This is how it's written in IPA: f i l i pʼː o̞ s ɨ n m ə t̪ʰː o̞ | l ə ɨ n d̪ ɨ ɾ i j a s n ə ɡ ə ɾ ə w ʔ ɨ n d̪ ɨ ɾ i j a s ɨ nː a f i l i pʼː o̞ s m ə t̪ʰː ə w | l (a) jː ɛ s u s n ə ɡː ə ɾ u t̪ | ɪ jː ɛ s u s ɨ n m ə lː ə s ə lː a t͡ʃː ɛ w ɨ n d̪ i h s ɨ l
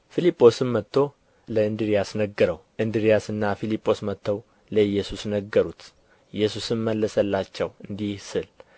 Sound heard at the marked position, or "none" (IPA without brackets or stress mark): ə